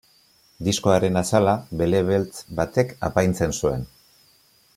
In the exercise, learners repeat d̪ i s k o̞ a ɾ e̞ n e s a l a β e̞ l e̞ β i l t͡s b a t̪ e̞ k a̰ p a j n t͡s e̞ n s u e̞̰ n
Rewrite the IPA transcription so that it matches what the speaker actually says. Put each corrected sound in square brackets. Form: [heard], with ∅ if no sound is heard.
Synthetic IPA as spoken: d̪ i s k o̞ a ɾ e̞ n [a] s a l a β e̞ l e̞ β [e] l t͡s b a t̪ e̞ k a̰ p a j n t͡s e̞ n s u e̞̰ n